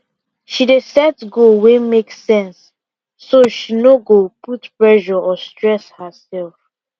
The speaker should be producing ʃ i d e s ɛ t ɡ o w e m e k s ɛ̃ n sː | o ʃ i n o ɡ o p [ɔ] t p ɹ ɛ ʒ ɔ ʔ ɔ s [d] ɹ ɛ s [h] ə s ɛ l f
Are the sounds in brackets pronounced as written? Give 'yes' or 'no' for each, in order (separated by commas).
no, no, yes